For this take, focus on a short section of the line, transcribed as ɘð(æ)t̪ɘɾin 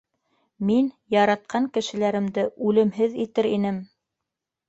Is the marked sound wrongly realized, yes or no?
yes